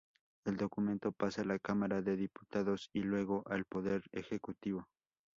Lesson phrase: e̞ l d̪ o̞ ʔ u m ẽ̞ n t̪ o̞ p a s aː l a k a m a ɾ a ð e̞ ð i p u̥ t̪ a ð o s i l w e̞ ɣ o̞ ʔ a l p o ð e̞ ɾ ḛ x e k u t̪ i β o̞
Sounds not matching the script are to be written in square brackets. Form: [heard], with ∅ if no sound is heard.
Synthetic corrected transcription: e̞ l d̪ o̞ [k] u m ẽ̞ n t̪ o̞ p a s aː l a k a m a ɾ a ð e̞ ð i p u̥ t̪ a ð o s i l w e̞ ɣ o̞ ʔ a l p o ð e̞ ɾ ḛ x e k u t̪ i β o̞